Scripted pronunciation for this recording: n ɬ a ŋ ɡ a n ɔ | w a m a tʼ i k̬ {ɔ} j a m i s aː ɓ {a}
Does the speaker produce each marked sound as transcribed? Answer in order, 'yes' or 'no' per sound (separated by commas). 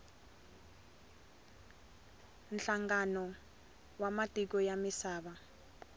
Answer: yes, yes